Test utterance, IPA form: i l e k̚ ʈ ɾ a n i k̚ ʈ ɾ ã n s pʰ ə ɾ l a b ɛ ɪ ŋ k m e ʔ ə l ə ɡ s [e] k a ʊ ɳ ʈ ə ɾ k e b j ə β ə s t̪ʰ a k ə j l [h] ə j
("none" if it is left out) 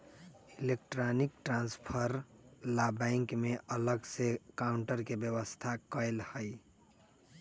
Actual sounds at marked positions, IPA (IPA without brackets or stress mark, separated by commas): e, h